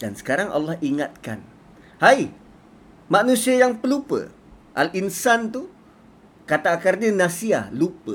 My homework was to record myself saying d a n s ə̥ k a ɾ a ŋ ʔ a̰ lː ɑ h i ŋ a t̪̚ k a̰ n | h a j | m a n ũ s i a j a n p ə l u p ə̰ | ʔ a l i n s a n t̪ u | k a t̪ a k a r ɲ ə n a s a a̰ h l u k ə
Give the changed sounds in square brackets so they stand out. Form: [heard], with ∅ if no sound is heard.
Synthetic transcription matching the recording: d a n s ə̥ k a ɾ a ŋ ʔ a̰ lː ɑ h i ŋ a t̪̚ k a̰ n | h a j | m a n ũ s i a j a [ŋ] p ə l u p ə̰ | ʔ a l i n s a n t̪ u | k a t̪ a k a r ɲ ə n a s [i] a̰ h l u [p] ə